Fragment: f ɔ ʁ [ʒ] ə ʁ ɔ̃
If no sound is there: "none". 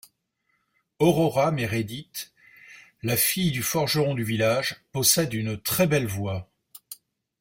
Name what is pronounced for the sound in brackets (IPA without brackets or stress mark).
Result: ʒ